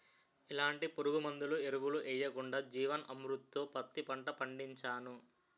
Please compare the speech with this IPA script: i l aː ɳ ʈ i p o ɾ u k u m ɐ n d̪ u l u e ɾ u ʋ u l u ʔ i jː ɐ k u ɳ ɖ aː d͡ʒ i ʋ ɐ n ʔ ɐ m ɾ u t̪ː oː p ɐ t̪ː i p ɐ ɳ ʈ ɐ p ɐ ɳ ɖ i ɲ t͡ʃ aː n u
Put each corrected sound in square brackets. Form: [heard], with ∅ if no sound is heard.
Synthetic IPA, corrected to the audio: i l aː ɳ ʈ i p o ɾ u [ɡ] u m ɐ n d̪ u l u e ɾ u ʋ u l u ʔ [ɛ] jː ɐ k u ɳ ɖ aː d͡ʒ [iː] ʋ ɐ n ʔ ɐ m ɾ u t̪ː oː p ɐ t̪ː i p ɐ ɳ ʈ ɐ p ɐ ɳ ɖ i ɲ t͡ʃ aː n u